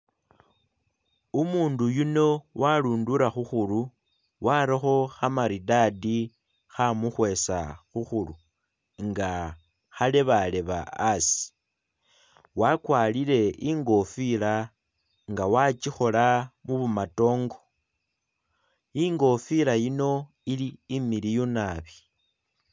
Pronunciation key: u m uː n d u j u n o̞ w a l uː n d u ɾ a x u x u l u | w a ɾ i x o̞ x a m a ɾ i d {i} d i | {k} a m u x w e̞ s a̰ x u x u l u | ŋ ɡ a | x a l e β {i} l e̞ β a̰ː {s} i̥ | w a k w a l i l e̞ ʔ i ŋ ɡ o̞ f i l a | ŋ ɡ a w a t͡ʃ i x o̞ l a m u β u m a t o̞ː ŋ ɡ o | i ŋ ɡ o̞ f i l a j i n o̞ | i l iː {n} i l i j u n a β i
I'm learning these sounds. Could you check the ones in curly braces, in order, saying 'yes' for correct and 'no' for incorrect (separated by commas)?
no, no, no, yes, no